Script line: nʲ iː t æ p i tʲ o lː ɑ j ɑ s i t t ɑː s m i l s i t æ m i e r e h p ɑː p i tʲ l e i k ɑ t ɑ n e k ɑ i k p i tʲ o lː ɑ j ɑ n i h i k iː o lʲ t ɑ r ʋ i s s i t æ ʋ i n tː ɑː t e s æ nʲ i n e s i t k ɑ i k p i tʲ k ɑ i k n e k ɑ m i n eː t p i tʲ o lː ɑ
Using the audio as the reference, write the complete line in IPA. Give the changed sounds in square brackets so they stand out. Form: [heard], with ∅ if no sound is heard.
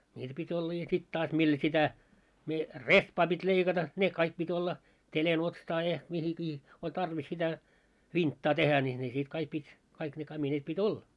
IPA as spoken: nʲ iː t æ p i tʲ o lː ɑ j ɑ s i t t ɑː s m i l s i t æ m i e r e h p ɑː p i tʲ l e i k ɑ t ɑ n e k ɑ i k p i tʲ o lː ɑ j ɑ [m] i h i k iː o lʲ t ɑ r ʋ i s s i t æ ʋ i n tː ɑː t e [h] æ nʲ i n e s i t k ɑ i k p i tʲ k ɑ i k n e k ɑ m i n eː t p i tʲ o lː ɑ